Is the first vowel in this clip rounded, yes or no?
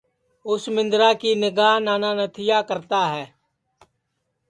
yes